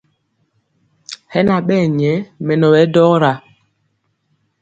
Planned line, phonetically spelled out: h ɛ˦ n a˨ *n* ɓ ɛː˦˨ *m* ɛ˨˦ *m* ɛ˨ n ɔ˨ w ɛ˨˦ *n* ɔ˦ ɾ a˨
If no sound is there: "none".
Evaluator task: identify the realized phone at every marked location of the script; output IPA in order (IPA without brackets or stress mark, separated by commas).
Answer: none, ɲ, m, d